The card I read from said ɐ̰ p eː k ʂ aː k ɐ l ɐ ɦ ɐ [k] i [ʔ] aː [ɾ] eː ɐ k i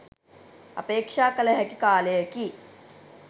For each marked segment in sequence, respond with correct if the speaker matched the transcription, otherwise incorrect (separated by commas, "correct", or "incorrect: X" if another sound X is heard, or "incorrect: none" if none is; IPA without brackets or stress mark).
correct, incorrect: k, incorrect: l